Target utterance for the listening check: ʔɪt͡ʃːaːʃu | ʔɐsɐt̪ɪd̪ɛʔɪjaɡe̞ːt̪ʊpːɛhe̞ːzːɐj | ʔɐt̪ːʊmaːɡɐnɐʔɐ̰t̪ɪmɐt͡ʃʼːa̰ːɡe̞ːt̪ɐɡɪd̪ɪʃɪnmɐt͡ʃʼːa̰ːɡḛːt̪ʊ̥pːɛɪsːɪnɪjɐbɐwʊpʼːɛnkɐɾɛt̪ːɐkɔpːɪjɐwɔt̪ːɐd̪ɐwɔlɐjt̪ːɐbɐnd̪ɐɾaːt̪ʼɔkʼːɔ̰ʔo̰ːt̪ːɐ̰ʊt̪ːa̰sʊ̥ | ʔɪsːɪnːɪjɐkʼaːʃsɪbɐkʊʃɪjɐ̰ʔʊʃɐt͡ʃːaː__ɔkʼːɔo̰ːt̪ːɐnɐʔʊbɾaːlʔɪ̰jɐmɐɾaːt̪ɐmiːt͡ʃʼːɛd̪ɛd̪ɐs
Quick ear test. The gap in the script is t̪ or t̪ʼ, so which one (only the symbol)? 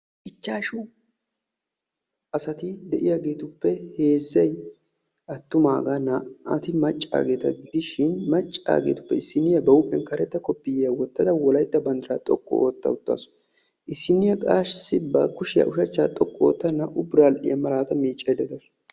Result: t̪ʼ